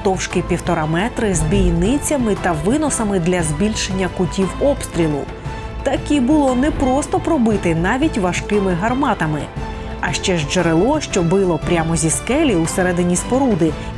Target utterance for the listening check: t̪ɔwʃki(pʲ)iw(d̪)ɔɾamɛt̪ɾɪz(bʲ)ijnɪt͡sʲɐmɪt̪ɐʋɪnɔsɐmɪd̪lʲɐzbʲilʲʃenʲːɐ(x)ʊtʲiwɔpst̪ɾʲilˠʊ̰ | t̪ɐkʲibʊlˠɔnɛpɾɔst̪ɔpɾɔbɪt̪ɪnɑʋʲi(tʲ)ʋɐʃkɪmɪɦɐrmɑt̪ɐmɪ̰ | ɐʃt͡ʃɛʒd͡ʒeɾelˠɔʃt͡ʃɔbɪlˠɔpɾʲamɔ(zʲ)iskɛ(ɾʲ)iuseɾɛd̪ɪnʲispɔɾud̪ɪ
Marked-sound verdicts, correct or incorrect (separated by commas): correct, incorrect, correct, incorrect, correct, correct, incorrect